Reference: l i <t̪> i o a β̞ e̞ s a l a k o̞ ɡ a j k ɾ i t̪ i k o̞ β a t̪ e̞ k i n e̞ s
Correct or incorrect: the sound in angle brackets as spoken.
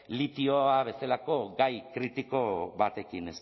correct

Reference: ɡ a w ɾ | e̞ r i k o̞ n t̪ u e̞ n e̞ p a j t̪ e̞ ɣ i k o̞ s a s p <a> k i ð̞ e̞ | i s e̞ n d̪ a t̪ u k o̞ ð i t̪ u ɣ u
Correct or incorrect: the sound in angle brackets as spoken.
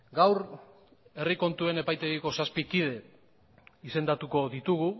incorrect: i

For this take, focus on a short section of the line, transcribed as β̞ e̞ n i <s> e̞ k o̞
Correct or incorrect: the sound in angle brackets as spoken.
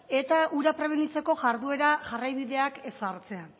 incorrect: t͡s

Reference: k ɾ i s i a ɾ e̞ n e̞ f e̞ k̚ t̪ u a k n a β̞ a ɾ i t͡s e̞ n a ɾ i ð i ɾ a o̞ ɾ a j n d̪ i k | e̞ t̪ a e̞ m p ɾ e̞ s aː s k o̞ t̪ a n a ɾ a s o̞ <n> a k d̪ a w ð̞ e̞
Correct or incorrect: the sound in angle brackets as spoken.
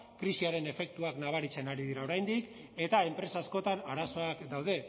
incorrect: none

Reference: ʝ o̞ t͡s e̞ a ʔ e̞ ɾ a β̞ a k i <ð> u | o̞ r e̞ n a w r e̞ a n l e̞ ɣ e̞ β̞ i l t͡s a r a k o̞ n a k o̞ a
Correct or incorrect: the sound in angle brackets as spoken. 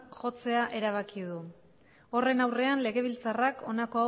correct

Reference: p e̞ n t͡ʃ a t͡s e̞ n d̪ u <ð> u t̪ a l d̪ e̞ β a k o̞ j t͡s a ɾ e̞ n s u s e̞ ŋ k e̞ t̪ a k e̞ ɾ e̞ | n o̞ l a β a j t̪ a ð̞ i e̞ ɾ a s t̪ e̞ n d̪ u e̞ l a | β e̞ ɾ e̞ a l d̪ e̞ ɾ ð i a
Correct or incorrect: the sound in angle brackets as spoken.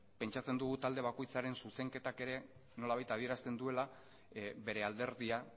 incorrect: ɣ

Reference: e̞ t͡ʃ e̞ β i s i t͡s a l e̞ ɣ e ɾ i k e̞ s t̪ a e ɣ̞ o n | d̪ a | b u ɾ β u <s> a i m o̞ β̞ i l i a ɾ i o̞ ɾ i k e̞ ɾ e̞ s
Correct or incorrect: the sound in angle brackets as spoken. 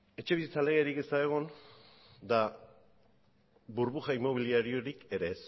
incorrect: x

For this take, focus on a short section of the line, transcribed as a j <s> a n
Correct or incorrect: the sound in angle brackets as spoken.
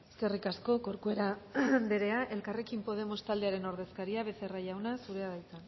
incorrect: t͡s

